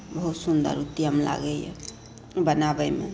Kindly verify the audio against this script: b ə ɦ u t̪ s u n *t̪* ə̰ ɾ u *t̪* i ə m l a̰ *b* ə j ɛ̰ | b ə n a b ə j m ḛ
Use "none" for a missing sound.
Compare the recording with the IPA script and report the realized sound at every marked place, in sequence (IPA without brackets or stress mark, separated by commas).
d̪, t̪, ɡ